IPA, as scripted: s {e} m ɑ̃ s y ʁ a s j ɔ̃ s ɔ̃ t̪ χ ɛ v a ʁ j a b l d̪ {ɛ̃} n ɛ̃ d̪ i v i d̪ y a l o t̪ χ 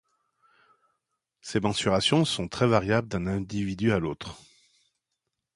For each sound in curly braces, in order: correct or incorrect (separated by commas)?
correct, correct